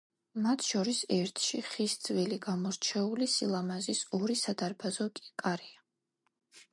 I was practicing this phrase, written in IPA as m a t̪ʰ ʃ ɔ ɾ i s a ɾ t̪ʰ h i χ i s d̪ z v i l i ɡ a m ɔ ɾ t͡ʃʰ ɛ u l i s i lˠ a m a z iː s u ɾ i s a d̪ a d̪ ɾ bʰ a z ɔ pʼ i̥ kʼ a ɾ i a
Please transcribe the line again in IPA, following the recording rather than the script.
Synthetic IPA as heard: m a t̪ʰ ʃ ɔ ɾ i s ɛ ɾ t̪ʰ ʃ i χ i s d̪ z v i l i ɡ a m ɔ ɾ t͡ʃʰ ɛ u l i s i lˠ a m a z i s ɔ ɾ i s a d̪ a ɾ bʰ a z ɔ kʼ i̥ kʼ a ɾ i a